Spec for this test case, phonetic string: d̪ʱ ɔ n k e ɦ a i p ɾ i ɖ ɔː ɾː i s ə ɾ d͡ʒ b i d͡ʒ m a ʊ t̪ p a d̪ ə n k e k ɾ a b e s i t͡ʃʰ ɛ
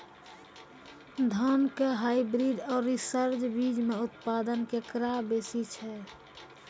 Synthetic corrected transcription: d̪ʱ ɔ n k e ɦ a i b ɾ i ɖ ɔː ɾː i s ə ɾ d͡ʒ b i d͡ʒ m e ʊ t̪ p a d̪ ə n k e k ɾ a b e s i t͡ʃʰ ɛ